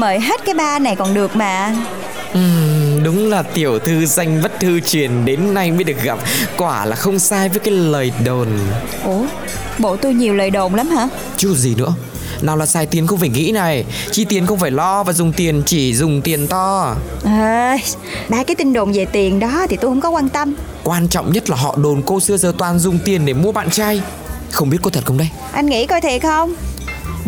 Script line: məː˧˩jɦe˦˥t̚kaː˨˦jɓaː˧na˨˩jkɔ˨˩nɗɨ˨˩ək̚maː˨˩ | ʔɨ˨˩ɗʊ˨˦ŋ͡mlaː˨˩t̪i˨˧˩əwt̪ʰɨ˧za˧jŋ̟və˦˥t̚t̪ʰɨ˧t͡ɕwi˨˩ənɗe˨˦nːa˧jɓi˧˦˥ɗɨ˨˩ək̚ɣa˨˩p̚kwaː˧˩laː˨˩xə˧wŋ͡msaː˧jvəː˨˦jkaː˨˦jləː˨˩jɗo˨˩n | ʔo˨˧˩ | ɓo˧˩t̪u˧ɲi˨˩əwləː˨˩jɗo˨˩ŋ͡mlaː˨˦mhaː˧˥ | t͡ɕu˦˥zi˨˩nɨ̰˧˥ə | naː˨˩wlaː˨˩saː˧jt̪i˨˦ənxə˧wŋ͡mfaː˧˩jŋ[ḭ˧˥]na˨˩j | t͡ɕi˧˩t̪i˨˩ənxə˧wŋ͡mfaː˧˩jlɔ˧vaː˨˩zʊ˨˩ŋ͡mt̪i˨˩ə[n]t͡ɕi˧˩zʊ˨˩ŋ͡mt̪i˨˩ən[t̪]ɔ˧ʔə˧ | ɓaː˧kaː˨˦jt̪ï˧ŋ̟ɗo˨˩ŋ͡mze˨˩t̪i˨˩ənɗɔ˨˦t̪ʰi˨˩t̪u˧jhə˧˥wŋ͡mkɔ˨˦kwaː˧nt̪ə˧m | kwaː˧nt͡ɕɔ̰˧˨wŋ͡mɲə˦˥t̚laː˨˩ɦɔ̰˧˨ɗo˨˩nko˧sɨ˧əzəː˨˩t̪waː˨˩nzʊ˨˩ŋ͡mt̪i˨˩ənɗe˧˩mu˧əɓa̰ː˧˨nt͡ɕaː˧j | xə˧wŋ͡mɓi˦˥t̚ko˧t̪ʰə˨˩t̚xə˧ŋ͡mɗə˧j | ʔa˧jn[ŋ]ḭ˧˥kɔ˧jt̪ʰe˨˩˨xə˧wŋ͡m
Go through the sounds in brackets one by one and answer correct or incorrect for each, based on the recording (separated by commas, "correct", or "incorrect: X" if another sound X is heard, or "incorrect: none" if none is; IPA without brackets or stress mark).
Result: correct, correct, correct, correct